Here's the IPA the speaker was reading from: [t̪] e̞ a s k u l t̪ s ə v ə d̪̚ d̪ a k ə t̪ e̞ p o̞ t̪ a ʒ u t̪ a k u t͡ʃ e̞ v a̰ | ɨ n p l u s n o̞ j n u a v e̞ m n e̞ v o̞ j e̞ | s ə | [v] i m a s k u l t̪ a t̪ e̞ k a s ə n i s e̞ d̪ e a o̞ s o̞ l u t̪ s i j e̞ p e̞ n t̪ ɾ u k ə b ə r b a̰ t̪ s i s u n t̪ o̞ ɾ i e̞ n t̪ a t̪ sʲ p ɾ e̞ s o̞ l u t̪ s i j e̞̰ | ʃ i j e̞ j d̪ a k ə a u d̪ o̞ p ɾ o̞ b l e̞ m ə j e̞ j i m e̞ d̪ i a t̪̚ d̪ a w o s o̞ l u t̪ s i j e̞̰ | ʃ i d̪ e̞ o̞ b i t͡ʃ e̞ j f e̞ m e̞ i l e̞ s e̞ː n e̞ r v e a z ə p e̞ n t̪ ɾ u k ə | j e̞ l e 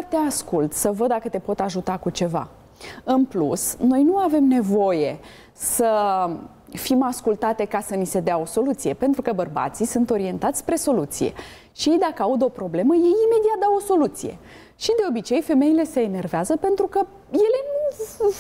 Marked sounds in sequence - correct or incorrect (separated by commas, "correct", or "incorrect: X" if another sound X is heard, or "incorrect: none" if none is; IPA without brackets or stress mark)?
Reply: correct, incorrect: f